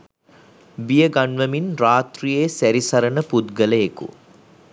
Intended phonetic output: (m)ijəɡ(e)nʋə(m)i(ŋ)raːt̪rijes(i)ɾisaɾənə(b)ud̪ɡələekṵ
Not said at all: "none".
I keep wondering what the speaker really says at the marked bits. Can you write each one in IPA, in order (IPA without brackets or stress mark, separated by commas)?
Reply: b, a, m, n, æ, p